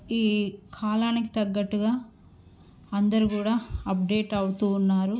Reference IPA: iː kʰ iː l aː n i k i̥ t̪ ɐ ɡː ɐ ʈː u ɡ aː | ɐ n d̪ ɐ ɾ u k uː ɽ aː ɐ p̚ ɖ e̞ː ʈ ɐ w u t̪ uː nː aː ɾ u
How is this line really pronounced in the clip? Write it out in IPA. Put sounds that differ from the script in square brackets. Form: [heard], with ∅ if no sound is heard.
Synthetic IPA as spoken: iː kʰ [aː] l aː n i k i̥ t̪ ɐ ɡː ɐ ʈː u ɡ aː | ɐ n d̪ ɐ ɾ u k uː ɽ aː ɐ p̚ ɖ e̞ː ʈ ɐ w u t̪ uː nː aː ɾ u